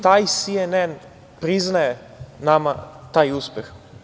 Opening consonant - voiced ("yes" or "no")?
no